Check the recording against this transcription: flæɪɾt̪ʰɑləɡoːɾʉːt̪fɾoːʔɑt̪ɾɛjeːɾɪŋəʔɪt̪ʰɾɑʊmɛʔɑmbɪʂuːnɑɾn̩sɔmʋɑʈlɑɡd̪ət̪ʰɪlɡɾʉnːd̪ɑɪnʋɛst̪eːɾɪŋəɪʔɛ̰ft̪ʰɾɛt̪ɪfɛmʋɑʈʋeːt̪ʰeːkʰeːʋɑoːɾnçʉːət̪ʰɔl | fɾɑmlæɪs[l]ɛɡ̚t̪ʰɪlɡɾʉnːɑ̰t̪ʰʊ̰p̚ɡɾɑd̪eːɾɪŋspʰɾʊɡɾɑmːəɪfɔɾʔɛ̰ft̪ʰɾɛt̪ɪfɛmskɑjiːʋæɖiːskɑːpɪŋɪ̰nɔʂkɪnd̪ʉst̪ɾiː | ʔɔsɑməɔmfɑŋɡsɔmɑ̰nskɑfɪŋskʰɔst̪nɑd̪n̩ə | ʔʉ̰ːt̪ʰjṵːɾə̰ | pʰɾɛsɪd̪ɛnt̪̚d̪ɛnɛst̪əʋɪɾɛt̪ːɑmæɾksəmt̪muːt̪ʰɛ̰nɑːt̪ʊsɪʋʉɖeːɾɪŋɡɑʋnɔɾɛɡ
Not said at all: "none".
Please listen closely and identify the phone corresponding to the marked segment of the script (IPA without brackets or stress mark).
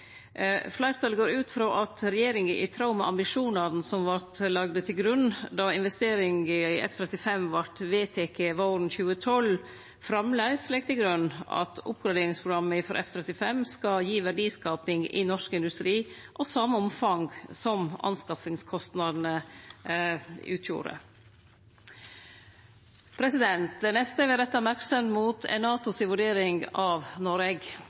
l